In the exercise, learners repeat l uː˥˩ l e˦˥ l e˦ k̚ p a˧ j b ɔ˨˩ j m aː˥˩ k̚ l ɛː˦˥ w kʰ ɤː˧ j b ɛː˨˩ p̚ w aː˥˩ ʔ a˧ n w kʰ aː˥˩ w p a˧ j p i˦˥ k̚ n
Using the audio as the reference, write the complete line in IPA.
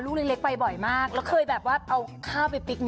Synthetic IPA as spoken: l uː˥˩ l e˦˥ l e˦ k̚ p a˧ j b ɔ˨˩ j m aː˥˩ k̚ l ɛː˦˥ w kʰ ɤː˧ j b ɛː˨˩ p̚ w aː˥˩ ʔ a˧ w kʰ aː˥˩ w p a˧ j p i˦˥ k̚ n